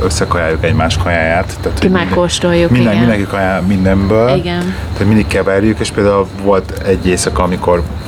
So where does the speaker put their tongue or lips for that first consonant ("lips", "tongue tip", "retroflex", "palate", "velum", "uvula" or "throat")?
tongue tip